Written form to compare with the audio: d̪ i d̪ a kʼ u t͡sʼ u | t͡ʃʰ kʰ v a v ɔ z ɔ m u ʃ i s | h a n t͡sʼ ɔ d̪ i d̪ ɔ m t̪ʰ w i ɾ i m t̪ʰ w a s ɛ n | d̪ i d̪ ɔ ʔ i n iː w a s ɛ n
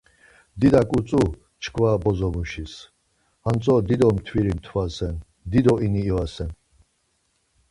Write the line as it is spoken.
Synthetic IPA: d̪ i d̪ a kʼ u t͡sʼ u | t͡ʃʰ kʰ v a b ɔ z ɔ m u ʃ i s | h a n t͡sʼ ɔ d̪ i d̪ ɔ m t̪ʰ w i ɾ i m t̪ʰ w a s ɛ n | d̪ i d̪ ɔ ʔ i n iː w a s ɛ n